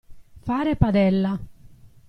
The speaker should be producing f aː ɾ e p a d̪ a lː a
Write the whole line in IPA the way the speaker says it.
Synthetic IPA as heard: f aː ɾ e p a d̪ ɛ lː a